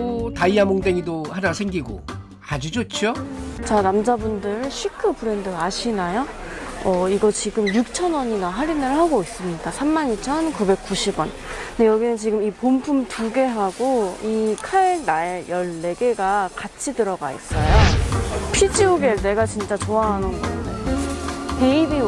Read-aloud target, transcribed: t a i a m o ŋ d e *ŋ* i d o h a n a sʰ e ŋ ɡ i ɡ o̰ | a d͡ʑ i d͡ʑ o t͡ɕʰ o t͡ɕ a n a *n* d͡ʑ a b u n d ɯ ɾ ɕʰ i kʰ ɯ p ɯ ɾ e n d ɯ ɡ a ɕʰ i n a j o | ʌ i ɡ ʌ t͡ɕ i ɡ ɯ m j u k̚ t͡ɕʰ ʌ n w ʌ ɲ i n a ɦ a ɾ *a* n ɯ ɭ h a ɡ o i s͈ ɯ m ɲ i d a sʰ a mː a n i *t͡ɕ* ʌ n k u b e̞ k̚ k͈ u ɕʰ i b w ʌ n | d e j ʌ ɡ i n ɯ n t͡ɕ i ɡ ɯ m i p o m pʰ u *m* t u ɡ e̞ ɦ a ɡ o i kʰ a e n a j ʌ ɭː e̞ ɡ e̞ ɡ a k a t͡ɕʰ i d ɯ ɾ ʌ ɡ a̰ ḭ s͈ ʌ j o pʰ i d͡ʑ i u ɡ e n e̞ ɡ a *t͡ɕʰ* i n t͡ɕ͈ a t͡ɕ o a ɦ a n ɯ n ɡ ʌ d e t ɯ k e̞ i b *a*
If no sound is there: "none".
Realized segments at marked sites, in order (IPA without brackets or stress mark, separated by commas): ŋ, m, i, t͡ɕʰ, m, t͡ɕ, i